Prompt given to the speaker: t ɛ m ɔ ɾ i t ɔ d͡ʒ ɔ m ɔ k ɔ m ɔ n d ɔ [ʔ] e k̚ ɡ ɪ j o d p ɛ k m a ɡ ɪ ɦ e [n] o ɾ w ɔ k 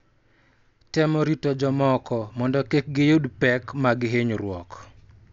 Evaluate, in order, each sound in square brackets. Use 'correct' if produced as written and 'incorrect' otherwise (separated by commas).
incorrect, incorrect